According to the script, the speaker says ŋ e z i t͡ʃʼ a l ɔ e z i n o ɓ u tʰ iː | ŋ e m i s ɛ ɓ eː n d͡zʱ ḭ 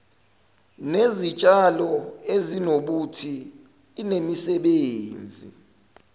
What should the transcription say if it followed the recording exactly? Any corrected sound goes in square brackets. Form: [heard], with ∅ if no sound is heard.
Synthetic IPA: [n] e z i t͡ʃʼ a l ɔ e z i n o ɓ u tʰ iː | [n] e m i s ɛ ɓ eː n d͡zʱ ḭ

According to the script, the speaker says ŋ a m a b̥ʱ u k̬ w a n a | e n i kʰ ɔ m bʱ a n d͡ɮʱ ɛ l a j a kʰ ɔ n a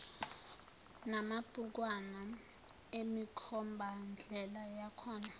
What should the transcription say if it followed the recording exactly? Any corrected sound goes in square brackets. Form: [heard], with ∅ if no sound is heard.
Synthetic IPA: [n] a m a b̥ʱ u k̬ w a n a | e [m] i kʰ ɔ m bʱ a n d͡ɮʱ ɛ l a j a kʰ [ɔː] n a

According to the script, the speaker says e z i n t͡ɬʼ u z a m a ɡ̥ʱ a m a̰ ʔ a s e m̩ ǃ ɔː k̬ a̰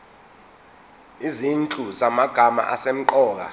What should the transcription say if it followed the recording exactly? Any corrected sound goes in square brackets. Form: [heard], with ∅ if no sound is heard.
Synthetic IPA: [i] z i n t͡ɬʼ u z a m a ɡ̥ʱ a m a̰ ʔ a s e m̩ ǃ ɔː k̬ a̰

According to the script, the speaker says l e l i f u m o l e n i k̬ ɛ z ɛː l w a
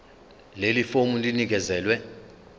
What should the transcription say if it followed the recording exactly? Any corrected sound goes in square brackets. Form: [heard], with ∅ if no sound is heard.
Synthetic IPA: l e l i f [o] m [u] l [i] n i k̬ ɛ z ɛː l w [ɛ]

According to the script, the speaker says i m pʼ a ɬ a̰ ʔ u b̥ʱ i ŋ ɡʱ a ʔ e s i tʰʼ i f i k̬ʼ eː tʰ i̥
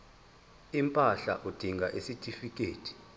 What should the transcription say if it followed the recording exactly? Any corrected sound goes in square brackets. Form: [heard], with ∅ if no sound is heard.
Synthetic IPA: i m pʼ a ɬ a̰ ʔ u [d̥ʱ] i ŋ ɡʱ a ʔ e s i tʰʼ i f i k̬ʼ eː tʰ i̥

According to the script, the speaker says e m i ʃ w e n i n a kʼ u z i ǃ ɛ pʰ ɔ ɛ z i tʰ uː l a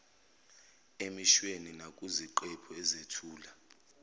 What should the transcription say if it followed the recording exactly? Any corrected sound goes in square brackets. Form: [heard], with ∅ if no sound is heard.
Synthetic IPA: e m i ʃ w e n i n a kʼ u z i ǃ ɛ pʰ ɔ ɛ z [e] tʰ uː l a

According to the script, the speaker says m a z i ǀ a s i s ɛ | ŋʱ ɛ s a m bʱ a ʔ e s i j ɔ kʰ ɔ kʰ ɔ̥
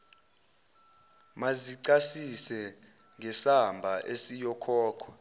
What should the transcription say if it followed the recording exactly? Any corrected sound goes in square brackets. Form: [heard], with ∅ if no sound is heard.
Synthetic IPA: m a z i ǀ a s i s ɛ | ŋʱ ɛ s a m bʱ a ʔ e s i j ɔ kʰ [ɔː] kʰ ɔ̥

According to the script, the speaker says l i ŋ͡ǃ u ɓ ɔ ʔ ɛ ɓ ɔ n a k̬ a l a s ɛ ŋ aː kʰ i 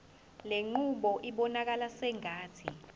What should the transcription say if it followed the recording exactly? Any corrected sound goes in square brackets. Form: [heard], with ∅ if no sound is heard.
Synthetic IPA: l [e] ŋ͡ǃ u ɓ ɔ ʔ [i] ɓ ɔ n a k̬ a l a s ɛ ŋ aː [tʰ] i

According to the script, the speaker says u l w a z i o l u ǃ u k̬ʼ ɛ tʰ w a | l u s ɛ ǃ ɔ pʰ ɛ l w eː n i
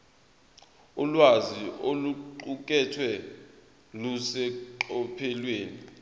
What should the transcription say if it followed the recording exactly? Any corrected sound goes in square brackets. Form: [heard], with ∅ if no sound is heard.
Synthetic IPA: u l w a z i o l u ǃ u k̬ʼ ɛ tʰ w [ɛ] | l u s ɛ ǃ ɔ pʰ ɛ l w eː n i

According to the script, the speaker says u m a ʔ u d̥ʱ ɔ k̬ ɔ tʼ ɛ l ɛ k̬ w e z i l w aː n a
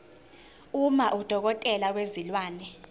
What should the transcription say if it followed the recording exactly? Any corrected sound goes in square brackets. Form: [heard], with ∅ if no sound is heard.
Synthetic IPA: u m a ʔ u d̥ʱ ɔ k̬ ɔ tʼ ɛ l [a] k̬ w e z i l w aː n [ɛ]

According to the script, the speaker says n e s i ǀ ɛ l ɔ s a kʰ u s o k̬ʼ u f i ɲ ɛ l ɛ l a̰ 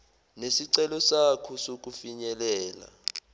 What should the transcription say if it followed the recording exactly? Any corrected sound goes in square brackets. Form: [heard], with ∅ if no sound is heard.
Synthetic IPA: n e s i ǀ ɛ l ɔ s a kʰ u s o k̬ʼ u f i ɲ ɛ l [ɛː] l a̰

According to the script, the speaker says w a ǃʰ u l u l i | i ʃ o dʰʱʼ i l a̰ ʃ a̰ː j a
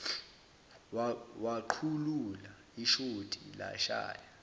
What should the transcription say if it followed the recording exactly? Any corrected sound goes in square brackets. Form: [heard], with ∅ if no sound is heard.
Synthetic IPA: w a ǃʰ u l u l [a] | i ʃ o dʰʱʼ i l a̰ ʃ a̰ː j a

